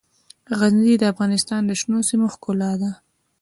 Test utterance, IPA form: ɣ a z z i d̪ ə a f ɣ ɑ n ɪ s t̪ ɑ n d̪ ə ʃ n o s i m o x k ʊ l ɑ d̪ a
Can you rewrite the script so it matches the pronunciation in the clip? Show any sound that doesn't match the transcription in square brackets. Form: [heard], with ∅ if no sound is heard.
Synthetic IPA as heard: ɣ a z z i d̪ ə a f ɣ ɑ n ɪ s t̪ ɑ n d̪ ə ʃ n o s i m o x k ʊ l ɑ d̪ a